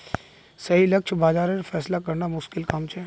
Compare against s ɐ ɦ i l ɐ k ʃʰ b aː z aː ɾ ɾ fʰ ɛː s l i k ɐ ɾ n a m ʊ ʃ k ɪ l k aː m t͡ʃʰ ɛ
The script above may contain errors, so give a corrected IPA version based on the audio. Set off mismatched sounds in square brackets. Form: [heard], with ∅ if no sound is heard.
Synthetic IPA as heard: s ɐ ɦ i l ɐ k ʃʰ b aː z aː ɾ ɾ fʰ ɛː s l [a] k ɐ ɾ n a m ʊ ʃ k ɪ l k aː m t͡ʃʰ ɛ